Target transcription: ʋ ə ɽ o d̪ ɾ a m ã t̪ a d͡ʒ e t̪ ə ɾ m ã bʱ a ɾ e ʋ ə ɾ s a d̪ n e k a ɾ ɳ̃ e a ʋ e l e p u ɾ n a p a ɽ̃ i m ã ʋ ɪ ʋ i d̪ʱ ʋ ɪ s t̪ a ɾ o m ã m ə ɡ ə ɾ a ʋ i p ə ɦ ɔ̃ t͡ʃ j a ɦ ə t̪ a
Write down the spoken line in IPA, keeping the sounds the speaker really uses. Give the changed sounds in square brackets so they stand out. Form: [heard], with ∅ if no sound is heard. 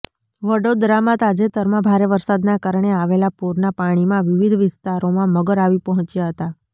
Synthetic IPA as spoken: ʋ ə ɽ o d̪ ɾ a m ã t̪ a d͡ʒ e t̪ ə ɾ m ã bʱ a ɾ e ʋ ə ɾ s a d̪ n [a] k a ɾ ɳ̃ e a ʋ e l [a] p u ɾ n a p a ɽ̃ i m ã ʋ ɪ ʋ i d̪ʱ ʋ ɪ s t̪ a ɾ o m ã m ə ɡ ə ɾ a ʋ i p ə ɦ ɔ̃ t͡ʃ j a ɦ ə t̪ a